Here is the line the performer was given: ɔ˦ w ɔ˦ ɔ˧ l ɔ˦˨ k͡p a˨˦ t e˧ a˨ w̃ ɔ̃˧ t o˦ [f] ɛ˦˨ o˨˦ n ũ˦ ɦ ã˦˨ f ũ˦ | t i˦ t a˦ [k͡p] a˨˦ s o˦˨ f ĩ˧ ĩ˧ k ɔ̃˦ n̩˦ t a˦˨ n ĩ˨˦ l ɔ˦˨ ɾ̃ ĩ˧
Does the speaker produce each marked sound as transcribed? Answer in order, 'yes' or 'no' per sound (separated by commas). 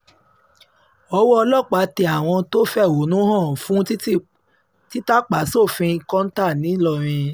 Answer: yes, yes